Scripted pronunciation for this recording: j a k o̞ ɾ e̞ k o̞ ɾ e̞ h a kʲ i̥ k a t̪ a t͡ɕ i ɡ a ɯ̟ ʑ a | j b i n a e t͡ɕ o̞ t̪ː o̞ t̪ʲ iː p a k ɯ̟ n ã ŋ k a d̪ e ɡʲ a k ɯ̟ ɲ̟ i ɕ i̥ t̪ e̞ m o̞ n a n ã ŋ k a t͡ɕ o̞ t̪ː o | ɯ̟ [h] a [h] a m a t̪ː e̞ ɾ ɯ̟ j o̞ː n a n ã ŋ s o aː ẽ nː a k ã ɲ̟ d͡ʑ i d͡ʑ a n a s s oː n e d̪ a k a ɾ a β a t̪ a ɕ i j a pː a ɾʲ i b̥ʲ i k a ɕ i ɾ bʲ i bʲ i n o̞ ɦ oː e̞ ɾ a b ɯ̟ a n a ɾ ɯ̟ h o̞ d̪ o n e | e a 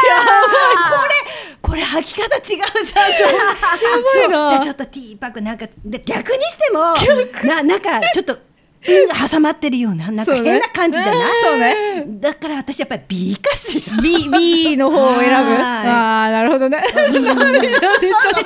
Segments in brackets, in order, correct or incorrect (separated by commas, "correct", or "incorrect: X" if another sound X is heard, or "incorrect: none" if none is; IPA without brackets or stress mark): correct, incorrect: s